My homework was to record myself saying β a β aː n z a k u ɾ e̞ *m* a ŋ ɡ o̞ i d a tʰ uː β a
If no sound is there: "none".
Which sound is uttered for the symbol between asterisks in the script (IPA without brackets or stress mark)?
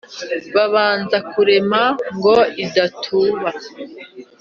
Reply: m